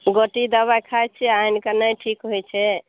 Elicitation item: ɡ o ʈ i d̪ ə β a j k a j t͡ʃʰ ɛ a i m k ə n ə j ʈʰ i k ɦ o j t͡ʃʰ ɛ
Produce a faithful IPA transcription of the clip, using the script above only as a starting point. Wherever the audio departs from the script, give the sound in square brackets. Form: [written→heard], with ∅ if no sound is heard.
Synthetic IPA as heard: ɡ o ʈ i d̪ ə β a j [k→kʰ] a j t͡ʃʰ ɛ a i [m→n] k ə n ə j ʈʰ i k ɦ o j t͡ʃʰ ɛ

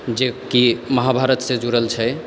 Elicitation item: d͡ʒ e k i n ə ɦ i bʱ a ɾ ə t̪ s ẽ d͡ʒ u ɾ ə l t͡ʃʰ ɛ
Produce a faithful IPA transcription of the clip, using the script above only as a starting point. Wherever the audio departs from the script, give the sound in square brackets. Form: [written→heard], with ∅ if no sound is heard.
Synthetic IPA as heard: d͡ʒ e k i [n→m] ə ɦ [i→a] bʱ a ɾ ə t̪ s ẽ d͡ʒ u ɾ ə l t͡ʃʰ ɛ

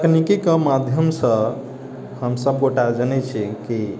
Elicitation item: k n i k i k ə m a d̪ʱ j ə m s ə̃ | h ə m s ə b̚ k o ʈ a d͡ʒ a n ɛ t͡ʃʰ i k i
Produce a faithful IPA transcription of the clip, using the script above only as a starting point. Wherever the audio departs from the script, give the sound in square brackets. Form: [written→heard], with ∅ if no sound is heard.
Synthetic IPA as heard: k n i k i k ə m a d̪ʱ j ə m s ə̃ | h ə m s ə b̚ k o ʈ a d͡ʒ [a→ə] n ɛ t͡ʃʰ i k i

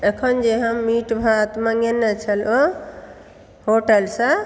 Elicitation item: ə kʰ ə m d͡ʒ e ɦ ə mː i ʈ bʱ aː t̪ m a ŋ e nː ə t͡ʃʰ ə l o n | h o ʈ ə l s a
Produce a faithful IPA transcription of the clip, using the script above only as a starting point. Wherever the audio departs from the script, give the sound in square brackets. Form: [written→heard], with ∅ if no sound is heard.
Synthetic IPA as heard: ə kʰ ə [m→n] d͡ʒ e ɦ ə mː i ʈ bʱ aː t̪ m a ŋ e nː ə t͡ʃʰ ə l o [n→∅] | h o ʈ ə l s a

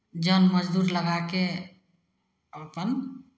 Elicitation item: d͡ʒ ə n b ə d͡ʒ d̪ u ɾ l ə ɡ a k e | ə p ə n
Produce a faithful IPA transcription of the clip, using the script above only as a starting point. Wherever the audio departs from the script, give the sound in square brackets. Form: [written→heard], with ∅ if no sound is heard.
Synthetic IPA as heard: d͡ʒ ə n [b→m] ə d͡ʒ d̪ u ɾ l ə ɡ a k e | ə p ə n

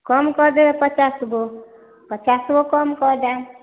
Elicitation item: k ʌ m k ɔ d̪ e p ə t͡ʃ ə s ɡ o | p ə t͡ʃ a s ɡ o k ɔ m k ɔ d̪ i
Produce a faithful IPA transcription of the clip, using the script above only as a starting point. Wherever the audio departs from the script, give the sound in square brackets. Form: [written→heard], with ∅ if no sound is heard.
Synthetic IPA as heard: k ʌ m k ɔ d̪ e p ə t͡ʃ [ə→a] s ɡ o | p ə t͡ʃ a s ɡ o k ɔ m k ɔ d̪ [i→a]

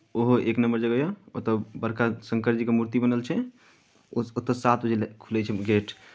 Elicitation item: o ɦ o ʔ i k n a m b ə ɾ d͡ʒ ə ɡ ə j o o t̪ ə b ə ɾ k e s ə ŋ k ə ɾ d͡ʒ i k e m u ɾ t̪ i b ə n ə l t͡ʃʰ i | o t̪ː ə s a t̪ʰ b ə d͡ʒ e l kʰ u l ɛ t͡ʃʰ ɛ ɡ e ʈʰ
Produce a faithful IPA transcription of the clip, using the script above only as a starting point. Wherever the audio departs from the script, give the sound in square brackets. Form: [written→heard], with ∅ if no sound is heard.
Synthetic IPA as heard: o ɦ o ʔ [i→e] k n [a→ə] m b ə ɾ d͡ʒ ə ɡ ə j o o t̪ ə b ə ɾ k [e→a] s ə ŋ k ə ɾ d͡ʒ i k e m u ɾ t̪ i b ə n ə l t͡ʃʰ [i→ɛ] | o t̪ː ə s a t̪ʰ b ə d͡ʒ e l kʰ u l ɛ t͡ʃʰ ɛ ɡ e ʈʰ

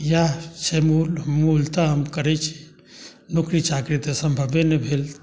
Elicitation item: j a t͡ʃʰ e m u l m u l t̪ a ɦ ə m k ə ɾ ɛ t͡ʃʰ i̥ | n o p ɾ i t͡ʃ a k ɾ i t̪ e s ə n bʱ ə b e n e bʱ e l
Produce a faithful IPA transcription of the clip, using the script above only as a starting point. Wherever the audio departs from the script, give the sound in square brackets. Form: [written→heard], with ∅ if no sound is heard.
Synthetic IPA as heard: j a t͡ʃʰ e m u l m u l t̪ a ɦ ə m k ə ɾ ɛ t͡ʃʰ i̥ | n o [p→k] ɾ i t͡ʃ a k ɾ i t̪ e s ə [n→m] bʱ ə b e n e bʱ e l

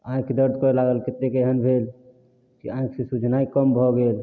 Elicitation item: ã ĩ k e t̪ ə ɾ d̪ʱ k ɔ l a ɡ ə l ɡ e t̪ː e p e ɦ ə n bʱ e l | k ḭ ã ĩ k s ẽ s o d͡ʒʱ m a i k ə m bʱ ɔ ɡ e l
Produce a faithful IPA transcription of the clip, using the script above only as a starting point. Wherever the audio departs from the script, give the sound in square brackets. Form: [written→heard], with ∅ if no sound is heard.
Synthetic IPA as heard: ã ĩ k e [t̪→d̪] ə ɾ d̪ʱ k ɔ l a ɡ ə l [ɡ→k] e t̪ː e [p→k] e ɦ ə n bʱ e l | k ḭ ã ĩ k s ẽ s [o→u] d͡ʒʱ [m→n] a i k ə m bʱ ɔ ɡ e l

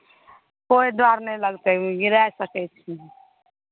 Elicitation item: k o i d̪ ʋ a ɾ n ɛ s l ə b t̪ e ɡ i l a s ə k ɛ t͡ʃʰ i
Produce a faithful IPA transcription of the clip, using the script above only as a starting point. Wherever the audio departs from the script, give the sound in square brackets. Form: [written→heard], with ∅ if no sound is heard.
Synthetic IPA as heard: k o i d̪ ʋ a ɾ n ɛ [s→∅] l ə [b→ɡ] t̪ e ɡ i [l→ɾ] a s ə k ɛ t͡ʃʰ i

